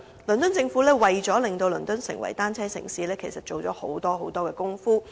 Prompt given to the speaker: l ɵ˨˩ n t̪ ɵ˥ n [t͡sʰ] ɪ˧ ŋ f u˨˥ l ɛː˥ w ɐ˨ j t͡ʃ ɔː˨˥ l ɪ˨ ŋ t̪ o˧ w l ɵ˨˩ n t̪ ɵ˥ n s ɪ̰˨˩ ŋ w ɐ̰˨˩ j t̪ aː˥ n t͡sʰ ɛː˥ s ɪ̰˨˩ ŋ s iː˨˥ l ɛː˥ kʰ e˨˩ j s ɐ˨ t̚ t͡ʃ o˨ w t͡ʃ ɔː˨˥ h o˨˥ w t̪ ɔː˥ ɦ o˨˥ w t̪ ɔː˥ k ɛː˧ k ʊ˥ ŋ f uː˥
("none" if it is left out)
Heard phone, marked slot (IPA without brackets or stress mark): t͡s